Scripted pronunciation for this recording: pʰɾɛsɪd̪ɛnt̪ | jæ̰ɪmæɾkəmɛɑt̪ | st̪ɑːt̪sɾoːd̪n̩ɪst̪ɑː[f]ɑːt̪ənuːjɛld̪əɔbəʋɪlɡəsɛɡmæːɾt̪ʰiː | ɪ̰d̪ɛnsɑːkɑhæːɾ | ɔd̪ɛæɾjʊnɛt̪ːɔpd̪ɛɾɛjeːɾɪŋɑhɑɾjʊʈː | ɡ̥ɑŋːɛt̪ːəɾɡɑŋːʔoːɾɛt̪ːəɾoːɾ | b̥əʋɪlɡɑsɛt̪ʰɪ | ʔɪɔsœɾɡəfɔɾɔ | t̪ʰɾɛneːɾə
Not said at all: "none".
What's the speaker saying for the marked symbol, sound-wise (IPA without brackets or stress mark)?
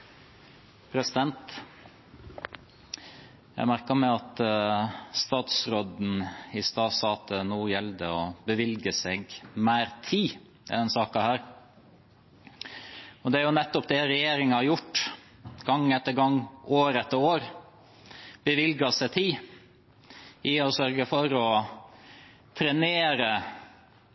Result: s